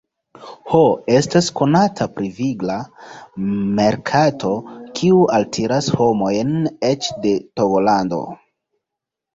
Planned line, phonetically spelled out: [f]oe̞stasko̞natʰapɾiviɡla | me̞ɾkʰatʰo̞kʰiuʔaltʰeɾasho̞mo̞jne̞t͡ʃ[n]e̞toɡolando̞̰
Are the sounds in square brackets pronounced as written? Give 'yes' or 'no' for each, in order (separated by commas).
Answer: no, no